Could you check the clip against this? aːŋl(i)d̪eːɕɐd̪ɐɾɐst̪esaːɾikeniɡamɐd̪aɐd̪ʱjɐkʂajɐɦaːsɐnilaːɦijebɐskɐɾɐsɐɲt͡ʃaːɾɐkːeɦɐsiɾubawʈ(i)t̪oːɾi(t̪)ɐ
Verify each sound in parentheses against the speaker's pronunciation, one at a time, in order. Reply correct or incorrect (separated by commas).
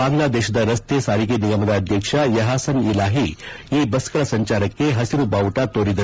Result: incorrect, incorrect, incorrect